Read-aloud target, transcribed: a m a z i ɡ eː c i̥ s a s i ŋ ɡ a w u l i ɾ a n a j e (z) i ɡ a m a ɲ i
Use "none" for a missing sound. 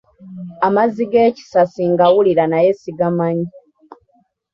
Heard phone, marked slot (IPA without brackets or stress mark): s